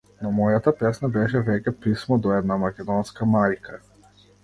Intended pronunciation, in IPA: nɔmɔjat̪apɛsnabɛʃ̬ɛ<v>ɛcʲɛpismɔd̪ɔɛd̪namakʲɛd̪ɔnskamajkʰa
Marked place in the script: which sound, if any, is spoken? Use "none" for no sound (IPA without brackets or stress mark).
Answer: v